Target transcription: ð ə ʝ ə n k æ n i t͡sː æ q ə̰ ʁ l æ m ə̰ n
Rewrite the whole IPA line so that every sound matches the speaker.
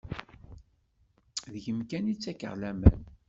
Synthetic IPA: ð ə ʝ ə m k æ n i t͡sː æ k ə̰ ʁ l æ m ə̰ n